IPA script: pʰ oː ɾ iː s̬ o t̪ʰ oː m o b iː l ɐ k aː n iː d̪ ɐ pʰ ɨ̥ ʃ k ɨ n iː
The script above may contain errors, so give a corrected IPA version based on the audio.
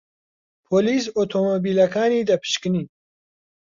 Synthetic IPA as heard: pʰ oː l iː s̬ o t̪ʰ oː m o b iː l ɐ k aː n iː d̪ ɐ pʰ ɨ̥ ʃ k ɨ n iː